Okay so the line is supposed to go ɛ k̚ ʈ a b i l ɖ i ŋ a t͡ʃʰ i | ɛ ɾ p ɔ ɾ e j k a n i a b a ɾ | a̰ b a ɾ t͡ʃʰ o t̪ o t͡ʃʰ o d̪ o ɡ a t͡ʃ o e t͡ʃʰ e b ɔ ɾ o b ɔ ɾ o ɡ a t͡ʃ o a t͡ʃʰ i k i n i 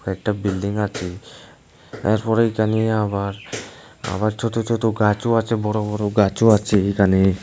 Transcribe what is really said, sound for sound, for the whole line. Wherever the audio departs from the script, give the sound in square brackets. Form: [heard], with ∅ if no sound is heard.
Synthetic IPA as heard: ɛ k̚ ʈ a b i l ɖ i ŋ a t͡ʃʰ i | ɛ ɾ p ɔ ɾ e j k a n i a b a ɾ | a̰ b a ɾ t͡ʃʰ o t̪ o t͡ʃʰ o [t̪] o ɡ a t͡ʃ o [a] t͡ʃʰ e b ɔ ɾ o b ɔ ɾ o ɡ a t͡ʃ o a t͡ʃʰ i k [a] n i